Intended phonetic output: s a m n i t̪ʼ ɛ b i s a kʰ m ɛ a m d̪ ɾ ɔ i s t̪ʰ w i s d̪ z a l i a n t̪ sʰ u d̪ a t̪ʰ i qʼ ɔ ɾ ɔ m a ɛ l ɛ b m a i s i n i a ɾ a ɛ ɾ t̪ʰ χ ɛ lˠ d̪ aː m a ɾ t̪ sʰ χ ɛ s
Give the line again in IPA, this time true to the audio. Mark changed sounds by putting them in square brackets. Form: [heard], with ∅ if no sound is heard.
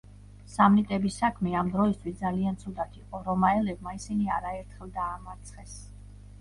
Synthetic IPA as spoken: s a m n i t̪ʼ ɛ b i s a kʰ m ɛ a m d̪ ɾ ɔ i s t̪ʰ w i s d̪ z a l i a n t̪ sʰ u d̪ a t̪ʰ i qʼ ɔ ɾ ɔ m a ɛ l ɛ b m a i s i n i a ɾ a ɛ ɾ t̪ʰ χ ɛ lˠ d̪ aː m a ɾ t̪ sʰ χ ɛ s